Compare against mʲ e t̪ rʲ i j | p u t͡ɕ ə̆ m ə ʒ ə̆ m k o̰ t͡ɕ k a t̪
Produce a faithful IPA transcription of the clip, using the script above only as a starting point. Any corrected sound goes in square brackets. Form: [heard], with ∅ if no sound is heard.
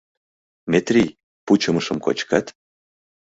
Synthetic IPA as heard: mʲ e t̪ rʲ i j | p u t͡ɕ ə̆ m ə [ʃ] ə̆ m k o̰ t͡ɕ k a t̪